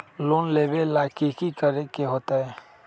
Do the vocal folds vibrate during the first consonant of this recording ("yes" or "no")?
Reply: yes